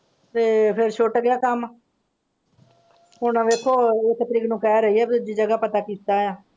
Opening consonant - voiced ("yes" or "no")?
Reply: no